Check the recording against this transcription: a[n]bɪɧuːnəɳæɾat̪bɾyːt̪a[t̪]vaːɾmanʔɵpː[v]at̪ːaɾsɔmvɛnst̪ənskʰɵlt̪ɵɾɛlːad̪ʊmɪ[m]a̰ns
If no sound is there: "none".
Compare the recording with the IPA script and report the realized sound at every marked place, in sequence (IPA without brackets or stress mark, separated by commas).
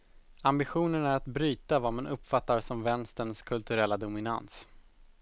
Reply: m, none, f, n